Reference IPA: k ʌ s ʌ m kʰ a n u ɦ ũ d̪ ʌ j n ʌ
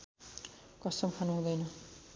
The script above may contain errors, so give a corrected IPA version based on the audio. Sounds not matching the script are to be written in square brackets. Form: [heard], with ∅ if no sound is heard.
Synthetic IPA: k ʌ s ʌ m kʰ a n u ɦ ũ d̪ ʌ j n ʌ